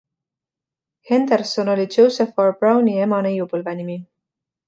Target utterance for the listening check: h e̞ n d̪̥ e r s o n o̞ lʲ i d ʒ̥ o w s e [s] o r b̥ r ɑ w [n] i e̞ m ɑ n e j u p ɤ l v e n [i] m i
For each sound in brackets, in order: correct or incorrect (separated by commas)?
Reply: incorrect, correct, correct